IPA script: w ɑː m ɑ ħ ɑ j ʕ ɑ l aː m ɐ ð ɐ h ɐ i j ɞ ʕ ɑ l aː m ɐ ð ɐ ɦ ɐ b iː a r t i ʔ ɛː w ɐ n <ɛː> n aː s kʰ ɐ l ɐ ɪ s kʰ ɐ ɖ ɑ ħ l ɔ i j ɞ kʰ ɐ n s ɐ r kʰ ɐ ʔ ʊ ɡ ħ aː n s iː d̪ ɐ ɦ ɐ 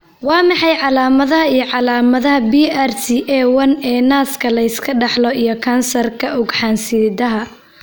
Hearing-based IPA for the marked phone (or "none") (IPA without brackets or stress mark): ɛː